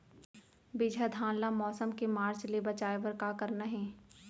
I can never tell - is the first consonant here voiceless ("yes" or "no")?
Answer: no